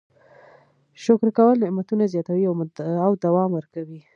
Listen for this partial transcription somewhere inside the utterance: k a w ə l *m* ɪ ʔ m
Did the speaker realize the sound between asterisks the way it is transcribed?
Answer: no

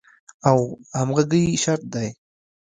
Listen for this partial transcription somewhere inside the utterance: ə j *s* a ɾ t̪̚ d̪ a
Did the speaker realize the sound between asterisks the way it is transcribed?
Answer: no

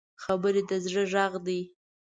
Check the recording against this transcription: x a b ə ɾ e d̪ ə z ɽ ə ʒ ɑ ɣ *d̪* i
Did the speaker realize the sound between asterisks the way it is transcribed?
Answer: yes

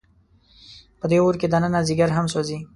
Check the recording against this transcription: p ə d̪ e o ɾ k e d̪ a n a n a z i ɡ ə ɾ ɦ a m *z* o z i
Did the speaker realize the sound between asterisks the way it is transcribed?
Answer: no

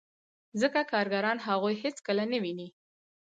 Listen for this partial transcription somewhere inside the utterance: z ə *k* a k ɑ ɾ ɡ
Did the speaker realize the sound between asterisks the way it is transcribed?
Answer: yes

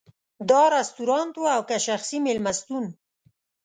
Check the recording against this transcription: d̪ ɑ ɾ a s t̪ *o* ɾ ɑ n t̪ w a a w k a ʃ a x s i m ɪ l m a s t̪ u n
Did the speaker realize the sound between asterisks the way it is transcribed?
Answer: no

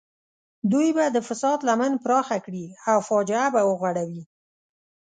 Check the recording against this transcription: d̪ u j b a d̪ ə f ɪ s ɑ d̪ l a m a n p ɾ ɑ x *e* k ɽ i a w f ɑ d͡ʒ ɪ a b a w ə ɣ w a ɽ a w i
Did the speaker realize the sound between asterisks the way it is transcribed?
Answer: no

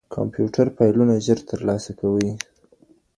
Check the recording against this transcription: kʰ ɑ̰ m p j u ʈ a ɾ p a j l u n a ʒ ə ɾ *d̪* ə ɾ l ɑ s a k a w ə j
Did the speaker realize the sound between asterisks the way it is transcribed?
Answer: no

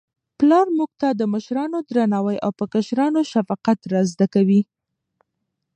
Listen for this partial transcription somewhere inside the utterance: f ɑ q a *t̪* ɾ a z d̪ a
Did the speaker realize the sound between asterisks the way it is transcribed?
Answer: yes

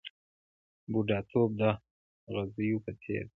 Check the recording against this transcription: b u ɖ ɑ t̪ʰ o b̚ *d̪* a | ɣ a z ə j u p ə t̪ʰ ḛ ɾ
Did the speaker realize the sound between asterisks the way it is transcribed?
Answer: yes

